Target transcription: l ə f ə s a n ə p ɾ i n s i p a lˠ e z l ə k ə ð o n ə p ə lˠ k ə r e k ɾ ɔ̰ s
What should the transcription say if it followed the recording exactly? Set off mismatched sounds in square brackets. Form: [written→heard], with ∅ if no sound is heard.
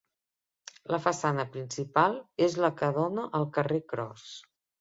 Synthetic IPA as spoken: l ə f ə s a n ə p ɾ i n s i p a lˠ e z l ə k ə ð o n ə [p→ʔ] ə lˠ k ə r e k ɾ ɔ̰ s